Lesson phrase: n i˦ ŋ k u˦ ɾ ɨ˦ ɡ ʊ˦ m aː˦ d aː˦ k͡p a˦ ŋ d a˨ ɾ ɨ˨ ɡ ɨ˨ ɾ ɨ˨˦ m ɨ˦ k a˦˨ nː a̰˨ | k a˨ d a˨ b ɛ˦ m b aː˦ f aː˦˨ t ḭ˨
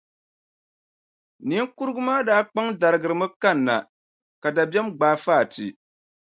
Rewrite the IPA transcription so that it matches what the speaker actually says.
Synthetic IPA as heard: n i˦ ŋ k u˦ ɾ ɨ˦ ɡ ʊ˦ m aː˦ d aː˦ k͡p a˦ ŋ d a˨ ɾ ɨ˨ ɡ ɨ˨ ɾ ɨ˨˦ m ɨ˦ k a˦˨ nː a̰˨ | k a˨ d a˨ b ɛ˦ m ɡ͡b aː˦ f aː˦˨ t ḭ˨